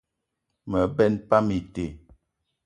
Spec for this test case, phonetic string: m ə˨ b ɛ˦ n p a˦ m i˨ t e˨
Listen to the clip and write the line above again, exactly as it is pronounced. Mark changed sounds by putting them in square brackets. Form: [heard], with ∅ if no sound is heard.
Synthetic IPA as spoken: m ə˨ b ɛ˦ n p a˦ m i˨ t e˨